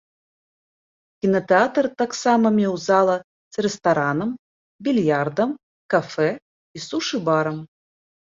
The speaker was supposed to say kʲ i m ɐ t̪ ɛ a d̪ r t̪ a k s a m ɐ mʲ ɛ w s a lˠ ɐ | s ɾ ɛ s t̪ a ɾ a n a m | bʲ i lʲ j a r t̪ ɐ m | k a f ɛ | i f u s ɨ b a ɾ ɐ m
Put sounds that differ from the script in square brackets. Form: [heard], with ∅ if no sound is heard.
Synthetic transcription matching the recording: kʲ i [n] ɐ t̪ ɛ a [t̪] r t̪ a k s a m ɐ mʲ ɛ w [z] a lˠ ɐ | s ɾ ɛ s t̪ a ɾ a n [ɐ] m | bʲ i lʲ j a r [d̪] ɐ m | k a f ɛ | i [s] u [ʂ] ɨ b a ɾ ɐ m